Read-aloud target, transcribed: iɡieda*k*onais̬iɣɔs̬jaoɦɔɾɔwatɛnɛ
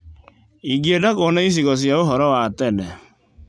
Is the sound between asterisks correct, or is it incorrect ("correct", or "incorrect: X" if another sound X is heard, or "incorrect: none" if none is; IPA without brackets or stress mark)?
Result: correct